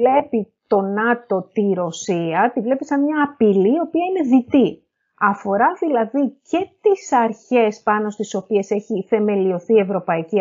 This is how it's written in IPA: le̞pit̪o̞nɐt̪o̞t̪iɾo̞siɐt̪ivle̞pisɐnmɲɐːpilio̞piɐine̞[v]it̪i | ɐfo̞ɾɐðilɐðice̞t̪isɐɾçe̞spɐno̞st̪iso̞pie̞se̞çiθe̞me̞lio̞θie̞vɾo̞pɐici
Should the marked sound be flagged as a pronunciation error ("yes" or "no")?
yes